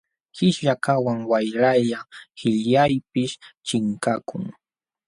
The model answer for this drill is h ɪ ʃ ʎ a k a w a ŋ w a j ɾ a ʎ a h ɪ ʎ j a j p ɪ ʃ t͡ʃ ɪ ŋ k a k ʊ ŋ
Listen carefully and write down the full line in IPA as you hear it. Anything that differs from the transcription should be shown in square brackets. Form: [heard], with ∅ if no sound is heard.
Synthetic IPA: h ɪ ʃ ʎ a k a w a ŋ w a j ɾ a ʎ a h ɪ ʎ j a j p ɪ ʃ t͡ʃ ɪ ŋ k a k ʊ ŋ